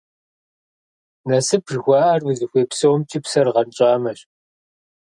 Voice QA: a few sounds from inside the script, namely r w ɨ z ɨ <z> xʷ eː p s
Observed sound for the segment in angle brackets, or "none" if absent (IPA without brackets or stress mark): none